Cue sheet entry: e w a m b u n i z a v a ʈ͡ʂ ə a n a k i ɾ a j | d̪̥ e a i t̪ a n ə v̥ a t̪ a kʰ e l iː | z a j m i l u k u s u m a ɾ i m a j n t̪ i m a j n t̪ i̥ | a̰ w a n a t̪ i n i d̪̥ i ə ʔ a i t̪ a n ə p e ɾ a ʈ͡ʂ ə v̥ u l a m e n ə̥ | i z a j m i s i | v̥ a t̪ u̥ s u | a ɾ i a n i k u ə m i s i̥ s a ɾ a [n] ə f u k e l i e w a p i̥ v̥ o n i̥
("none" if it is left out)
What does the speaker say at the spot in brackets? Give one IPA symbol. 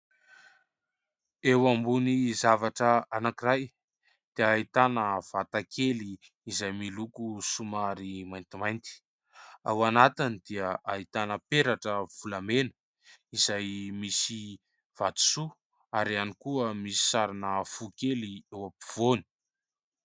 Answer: n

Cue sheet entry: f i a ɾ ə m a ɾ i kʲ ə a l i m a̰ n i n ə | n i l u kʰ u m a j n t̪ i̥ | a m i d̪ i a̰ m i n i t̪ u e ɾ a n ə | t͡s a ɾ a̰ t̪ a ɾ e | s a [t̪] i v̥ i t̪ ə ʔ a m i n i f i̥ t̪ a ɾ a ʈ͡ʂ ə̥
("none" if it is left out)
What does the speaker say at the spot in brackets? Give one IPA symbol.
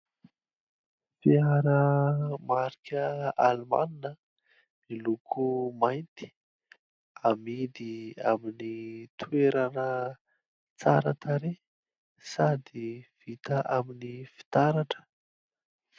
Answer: d̪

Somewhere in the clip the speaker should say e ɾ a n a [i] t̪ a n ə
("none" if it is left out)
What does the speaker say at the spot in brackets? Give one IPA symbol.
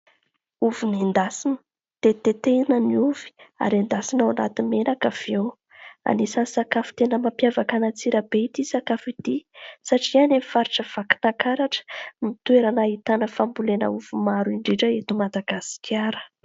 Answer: i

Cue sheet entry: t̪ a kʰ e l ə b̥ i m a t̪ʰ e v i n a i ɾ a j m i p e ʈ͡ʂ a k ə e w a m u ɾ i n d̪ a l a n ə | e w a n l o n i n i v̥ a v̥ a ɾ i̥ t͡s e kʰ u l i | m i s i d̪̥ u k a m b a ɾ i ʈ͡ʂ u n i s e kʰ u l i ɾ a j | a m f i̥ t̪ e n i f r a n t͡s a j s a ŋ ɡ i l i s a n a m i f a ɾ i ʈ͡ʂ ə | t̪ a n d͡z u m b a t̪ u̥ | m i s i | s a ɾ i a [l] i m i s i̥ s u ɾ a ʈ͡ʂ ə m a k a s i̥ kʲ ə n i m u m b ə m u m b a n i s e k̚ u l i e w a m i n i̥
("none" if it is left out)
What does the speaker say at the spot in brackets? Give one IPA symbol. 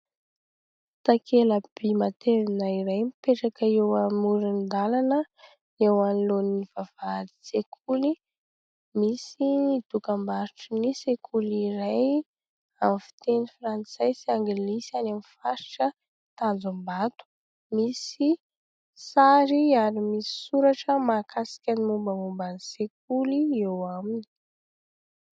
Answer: ɾ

